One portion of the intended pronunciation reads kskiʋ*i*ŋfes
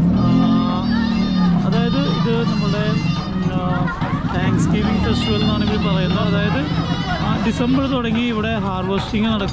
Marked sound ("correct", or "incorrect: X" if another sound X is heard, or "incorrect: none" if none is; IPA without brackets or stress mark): correct